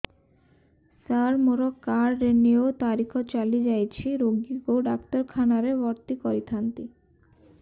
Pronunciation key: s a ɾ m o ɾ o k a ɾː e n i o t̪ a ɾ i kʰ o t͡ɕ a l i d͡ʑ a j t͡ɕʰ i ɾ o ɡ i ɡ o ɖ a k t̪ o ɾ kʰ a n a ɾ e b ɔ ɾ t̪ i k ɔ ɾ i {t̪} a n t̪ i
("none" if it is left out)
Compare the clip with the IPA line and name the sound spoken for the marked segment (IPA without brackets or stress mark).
t̪ʰ